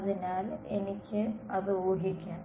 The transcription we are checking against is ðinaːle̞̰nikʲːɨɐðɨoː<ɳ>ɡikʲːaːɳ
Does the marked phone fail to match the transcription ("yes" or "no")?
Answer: yes